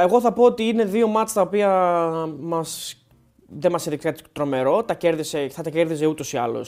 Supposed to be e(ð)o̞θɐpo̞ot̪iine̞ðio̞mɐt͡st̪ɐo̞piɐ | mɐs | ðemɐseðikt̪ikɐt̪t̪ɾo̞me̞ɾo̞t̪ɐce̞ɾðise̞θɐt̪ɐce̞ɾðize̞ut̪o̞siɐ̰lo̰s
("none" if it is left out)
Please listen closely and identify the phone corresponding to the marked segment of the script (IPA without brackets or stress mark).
ɣ